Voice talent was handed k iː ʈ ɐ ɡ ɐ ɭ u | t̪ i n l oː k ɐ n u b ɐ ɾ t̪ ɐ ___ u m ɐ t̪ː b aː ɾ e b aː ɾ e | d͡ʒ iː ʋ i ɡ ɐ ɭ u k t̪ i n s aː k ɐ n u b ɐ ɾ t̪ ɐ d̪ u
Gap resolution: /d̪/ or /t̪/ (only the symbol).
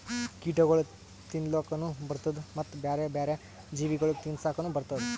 d̪